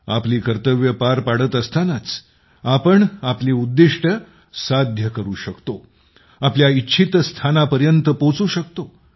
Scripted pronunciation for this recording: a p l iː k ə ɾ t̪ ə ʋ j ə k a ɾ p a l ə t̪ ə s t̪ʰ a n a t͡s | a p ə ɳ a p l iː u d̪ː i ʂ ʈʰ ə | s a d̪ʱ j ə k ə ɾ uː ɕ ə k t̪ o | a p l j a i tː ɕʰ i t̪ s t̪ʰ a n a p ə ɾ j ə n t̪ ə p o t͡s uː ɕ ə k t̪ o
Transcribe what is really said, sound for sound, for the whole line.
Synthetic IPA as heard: a p l iː k ə ɾ t̪ ə ʋ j ə p a ɾ p a ɽ ə t̪ ə s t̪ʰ a n a t͡s | a p ə ɳ a p l iː u d̪ː i ʂ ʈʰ ə | s a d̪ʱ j ə k ə ɾ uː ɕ ə k t̪ o | a p l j a i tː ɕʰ i t̪ s t̪ʰ a n a p ə ɾ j ə n t̪ ə p o t͡s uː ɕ ə k t̪ o